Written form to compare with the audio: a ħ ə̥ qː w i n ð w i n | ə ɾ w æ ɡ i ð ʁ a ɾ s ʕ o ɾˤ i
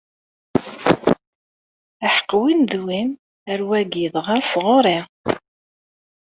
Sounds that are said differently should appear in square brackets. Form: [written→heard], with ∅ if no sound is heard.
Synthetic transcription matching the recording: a ħ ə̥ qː w i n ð w i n | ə ɾ w æ ɡ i ð ʁ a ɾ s [ʕ→ʁ] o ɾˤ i